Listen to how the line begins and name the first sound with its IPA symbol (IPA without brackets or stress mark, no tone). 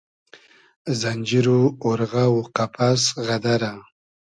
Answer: z